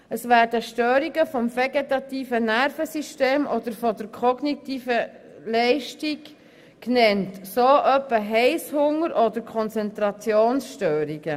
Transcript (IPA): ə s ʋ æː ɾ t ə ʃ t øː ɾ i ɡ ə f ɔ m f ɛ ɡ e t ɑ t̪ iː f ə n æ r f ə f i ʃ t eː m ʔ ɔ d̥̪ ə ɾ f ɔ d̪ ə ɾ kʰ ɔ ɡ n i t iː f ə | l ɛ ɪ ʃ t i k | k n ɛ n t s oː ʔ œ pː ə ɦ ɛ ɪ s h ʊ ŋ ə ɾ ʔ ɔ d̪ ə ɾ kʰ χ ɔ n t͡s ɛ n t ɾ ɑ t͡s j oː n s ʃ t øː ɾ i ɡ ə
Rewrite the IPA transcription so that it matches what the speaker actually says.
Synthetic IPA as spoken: ə s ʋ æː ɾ d ə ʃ t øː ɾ i ɡ ə f ɔ m f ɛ ɡ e t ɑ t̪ iː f ə n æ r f ə s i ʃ t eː m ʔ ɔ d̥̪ ə ɾ f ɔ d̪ ə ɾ kʰ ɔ ɡ n i t iː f ə | l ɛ ɪ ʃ t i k | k n ɛ n t s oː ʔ œ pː ə ɦ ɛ ɪ s h ʊ ŋ ə ɾ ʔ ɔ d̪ ə ɾ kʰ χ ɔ n t͡s ɛ n t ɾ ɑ t͡s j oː n s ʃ t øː ɾ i ɡ ə

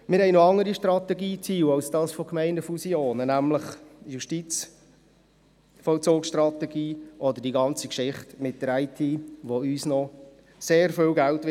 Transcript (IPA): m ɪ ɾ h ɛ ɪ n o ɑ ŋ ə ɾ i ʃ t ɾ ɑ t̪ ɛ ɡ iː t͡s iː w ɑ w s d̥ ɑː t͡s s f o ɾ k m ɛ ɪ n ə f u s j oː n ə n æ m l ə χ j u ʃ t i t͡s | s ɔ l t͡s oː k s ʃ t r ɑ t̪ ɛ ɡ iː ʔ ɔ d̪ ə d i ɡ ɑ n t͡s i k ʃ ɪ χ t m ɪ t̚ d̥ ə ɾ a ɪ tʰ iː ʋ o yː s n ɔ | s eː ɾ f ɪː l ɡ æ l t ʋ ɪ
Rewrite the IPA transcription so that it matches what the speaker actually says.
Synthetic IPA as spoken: m ɪ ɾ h ɛ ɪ n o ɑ ŋ ə ɾ i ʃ t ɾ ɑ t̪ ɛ ɡ iː t͡s iː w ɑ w s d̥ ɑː s f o k m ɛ ɪ n ə f u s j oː n ə n æ m l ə χ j u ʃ t i t͡s | f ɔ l t͡s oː k s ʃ t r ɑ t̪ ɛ ɡ iː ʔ ɔ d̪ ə d i ɡ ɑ n t͡s i k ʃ ɪ χ t m ɪ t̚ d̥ ə ɾ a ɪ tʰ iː ʋ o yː s n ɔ | s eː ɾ f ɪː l ɡ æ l t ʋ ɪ

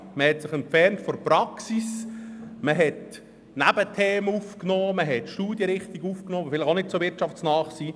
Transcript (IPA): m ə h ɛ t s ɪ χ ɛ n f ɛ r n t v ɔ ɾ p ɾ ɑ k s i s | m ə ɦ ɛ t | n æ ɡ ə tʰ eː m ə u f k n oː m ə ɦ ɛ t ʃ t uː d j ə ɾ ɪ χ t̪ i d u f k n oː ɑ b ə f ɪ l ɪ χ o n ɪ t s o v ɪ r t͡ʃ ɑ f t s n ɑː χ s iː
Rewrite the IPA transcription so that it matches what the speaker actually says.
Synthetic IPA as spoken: m ə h ɛ t s ɪ χ ɛ n f ɛ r n t f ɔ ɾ p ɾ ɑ k s i s | m ə ɦ ɛ t | n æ b ə tʰ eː m ə u f k n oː m ə ɦ ɛ t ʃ t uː d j ə ɾ ɪ χ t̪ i ɡ u f k n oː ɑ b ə f ɪ l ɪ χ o n ɪ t s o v ɪ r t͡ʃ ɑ f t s n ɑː χ s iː

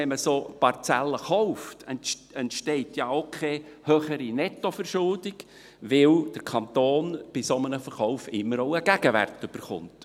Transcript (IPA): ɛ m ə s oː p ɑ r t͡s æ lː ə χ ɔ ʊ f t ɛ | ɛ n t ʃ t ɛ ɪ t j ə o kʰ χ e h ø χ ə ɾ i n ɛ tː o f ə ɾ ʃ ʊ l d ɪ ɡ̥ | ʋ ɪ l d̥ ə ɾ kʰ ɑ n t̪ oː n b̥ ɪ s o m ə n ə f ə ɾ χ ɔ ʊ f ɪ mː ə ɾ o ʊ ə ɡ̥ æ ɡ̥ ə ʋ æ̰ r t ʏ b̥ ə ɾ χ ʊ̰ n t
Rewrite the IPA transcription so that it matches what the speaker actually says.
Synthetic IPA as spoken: ɛ m ə s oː p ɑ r t͡s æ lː ə χ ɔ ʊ f t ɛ | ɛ n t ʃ t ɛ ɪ t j ɑ o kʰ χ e h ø χ ə ɾ i n ɛ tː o f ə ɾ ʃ ʊ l d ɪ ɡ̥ | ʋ ɪ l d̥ ə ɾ kʰ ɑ n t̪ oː n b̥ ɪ s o m ə n ə f ə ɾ χ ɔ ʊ f ɪ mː ə ɾ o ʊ ə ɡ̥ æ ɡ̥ ə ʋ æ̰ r t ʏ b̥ ə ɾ χ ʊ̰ n t

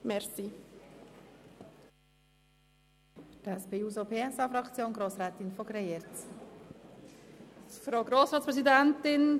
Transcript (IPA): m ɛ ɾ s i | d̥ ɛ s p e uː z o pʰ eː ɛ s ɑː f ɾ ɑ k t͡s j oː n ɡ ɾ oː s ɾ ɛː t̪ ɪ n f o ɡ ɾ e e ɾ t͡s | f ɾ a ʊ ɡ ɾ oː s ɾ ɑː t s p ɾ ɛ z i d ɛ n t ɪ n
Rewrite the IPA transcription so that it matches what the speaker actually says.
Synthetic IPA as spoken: m ɛ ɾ s i | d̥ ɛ s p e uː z o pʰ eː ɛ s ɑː f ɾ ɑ k t͡s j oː n ɡ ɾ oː s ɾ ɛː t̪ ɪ n f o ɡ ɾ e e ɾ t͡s | f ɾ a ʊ ɡ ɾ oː s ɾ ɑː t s p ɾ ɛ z i d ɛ n t ɪ n

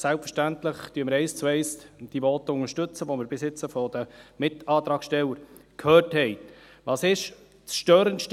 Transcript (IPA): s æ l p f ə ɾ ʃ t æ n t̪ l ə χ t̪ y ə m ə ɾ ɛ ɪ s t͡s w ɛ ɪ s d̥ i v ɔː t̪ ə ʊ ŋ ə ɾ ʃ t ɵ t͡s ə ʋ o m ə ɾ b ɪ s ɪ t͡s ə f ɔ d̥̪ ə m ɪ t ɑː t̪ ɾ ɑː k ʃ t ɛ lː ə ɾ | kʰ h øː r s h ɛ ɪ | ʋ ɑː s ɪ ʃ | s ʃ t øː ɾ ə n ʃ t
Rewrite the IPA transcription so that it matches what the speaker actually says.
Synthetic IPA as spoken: s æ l p f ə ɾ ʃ t æ n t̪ l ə χ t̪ y ə m ə ɾ ɛ ɪ s t͡s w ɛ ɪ s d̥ i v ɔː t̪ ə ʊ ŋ ə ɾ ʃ t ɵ t͡s ə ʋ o m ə ɾ b ɪ s ɪ t͡s ə f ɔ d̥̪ ə m ɪ t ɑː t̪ ɾ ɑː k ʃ t ɛ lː ə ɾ | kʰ h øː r t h ɛ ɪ | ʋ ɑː s ɪ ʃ | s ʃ t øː ɾ ə n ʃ t

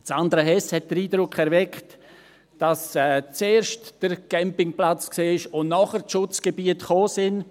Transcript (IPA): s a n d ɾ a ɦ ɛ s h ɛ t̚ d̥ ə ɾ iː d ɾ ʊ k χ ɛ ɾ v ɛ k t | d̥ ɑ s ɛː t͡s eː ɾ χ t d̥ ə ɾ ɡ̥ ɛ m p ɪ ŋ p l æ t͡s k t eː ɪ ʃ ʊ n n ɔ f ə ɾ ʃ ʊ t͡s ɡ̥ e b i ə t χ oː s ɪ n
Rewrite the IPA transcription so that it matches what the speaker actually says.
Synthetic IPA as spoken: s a n d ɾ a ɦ ɛ s h ɛ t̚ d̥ ə ɾ iː d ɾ ʊ k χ ɛ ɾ v ɛ k t | d̥ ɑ s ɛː t͡s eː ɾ ʃ t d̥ ə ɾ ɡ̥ ɛ m p ɪ ŋ p l a t͡s k s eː ɪ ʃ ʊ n n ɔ χ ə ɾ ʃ ʊ t͡s ɡ̥ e b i ə t χ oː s ɪ n

